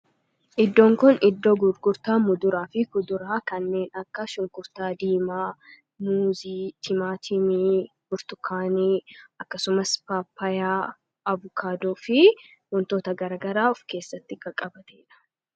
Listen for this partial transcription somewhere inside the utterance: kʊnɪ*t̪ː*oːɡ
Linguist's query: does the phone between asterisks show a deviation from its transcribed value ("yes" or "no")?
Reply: yes